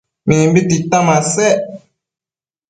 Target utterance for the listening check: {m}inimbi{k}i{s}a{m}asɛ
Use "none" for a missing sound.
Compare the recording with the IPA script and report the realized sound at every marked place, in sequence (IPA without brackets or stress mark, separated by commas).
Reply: m, t, t, m